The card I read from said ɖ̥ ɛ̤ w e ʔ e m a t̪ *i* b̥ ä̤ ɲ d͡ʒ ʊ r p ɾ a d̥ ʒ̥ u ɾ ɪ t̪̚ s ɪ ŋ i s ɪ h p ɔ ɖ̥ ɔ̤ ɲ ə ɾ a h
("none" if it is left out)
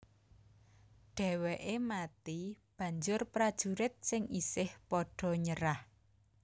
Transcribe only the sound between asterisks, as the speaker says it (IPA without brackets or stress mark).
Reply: i